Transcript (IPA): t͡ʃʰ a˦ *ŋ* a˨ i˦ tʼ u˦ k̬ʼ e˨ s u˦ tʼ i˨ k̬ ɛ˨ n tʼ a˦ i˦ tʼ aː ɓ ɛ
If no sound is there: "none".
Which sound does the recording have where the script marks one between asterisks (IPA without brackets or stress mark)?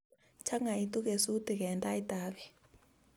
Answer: ŋ